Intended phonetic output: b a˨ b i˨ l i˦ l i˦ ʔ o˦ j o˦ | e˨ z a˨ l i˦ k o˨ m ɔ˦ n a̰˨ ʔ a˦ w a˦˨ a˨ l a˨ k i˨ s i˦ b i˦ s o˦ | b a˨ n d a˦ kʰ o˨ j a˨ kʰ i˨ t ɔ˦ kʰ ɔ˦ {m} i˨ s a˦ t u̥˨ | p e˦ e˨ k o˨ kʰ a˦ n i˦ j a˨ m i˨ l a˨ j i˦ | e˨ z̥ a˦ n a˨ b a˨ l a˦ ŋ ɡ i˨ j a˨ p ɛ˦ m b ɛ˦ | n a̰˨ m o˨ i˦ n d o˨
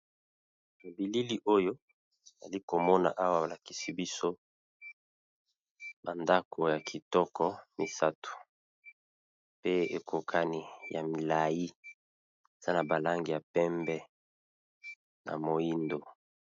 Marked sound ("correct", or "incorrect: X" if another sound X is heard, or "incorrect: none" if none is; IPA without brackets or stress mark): correct